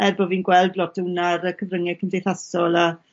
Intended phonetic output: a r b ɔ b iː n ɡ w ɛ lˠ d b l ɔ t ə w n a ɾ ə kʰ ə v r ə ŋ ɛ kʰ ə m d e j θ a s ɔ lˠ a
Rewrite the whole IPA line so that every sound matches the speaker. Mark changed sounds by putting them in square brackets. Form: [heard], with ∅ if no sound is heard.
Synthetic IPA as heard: [ɛ] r b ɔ [v] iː n ɡ w ɛ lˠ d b l ɔ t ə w n a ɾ ə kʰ ə v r ə ŋ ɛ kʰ ə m d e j θ a s ɔ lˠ a